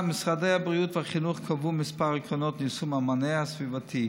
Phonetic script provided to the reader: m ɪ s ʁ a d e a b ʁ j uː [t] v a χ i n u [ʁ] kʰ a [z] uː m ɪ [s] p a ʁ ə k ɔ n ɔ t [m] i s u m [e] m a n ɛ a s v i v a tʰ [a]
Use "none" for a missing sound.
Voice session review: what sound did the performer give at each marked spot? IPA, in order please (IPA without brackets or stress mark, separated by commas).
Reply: t, χ, v, s, n, a, i